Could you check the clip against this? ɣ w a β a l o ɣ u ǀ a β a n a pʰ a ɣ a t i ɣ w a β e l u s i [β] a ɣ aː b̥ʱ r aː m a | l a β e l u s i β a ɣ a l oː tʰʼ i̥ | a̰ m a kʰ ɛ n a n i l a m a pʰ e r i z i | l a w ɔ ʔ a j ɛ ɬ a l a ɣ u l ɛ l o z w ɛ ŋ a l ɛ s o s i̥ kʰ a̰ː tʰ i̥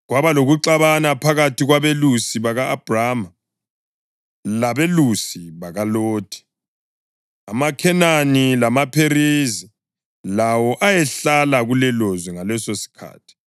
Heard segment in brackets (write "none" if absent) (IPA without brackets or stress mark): β